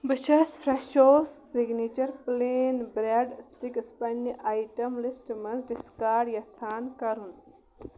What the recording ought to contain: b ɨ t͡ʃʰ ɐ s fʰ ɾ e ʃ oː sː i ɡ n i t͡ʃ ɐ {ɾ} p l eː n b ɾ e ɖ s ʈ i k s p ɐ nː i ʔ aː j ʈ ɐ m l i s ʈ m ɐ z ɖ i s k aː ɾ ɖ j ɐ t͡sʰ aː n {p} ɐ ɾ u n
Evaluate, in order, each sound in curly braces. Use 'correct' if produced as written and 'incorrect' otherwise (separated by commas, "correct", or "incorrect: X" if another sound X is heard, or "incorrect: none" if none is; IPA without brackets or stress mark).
correct, incorrect: k